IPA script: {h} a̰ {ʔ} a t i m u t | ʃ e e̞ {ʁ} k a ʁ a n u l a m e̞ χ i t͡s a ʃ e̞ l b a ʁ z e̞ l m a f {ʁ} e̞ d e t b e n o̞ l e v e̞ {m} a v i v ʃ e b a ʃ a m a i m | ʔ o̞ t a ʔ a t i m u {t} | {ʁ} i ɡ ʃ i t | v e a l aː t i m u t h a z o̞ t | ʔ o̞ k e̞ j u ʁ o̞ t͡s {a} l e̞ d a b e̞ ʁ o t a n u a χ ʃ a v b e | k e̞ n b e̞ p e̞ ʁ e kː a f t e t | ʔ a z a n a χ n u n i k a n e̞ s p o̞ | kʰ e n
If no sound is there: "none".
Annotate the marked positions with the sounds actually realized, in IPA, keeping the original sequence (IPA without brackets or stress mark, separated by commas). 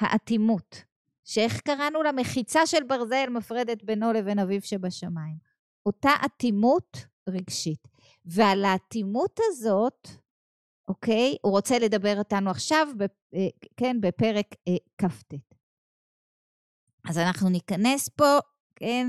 h, ʔ, χ, ʁ, n, t, ʁ, e